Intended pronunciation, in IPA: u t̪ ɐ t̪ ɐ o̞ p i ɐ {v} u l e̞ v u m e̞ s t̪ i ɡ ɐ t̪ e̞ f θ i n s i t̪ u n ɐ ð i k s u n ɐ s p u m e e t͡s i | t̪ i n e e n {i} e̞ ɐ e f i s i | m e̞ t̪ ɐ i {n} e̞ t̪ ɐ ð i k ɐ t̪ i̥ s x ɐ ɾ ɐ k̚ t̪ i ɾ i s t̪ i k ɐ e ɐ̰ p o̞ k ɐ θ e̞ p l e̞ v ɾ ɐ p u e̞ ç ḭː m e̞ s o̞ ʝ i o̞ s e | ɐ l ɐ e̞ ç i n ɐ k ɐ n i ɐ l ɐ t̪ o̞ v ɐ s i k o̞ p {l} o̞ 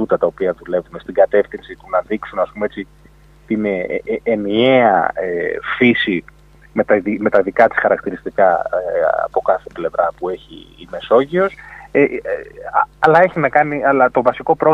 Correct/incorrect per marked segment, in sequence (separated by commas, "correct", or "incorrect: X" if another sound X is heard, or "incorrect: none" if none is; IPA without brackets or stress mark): incorrect: ð, correct, incorrect: m, incorrect: ɾ